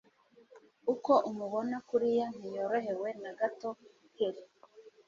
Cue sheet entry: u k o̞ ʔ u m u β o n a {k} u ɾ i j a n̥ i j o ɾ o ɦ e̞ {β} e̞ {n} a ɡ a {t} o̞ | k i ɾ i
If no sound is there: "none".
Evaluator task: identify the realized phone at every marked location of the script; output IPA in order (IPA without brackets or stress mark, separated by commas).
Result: k, w, n, t